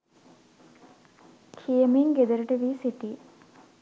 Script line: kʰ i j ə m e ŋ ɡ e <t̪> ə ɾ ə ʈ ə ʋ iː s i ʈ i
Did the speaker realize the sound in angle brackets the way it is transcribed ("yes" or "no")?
no